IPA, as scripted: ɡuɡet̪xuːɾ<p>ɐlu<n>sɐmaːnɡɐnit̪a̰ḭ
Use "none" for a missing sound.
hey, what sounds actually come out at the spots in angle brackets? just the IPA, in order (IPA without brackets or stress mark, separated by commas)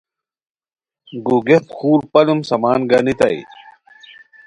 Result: p, m